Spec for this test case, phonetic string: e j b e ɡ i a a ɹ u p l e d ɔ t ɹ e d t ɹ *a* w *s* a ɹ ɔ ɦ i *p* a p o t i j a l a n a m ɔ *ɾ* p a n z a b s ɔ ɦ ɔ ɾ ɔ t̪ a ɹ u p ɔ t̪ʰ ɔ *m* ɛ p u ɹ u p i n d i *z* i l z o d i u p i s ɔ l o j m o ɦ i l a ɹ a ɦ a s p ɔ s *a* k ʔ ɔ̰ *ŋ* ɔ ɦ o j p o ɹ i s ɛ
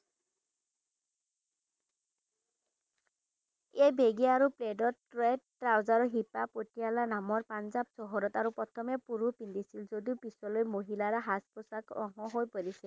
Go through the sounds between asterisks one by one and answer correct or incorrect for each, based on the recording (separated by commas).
correct, incorrect, correct, incorrect, correct, incorrect, correct, correct